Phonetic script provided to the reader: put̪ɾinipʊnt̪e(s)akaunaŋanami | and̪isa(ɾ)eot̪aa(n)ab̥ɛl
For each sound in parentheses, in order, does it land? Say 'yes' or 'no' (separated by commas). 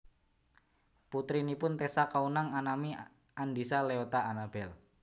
yes, no, yes